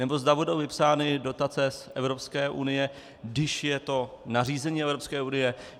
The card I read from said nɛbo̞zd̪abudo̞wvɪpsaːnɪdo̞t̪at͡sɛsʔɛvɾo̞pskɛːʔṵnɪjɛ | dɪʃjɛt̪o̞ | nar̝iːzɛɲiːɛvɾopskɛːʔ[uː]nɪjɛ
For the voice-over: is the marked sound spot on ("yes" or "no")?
no